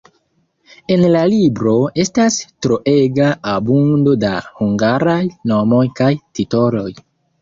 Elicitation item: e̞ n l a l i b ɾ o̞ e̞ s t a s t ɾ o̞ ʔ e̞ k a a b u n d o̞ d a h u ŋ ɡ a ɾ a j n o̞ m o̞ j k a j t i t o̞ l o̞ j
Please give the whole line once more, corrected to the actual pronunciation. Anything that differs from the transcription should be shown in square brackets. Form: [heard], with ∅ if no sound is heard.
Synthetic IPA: e̞ n l a l i b ɾ o̞ e̞ s t a s t ɾ o̞ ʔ e̞ [ɡ] a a b u n d o̞ d a h u ŋ ɡ a ɾ a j n o̞ m o̞ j k a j t i t o̞ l o̞ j